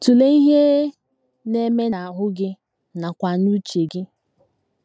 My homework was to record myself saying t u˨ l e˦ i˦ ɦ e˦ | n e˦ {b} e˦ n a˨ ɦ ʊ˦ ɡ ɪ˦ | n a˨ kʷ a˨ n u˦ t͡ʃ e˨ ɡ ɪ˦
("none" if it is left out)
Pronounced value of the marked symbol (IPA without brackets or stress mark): m